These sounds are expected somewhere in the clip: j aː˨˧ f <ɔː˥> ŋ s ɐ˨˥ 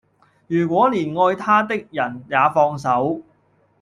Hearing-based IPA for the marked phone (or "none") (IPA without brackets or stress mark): ɔː˧